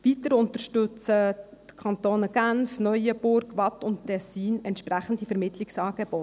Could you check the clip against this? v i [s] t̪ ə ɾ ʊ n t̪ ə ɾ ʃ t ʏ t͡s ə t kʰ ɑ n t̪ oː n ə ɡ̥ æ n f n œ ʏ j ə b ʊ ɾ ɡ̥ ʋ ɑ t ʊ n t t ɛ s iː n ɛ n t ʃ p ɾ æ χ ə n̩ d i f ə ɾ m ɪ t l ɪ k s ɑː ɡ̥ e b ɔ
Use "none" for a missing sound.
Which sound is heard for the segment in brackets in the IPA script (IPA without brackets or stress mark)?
none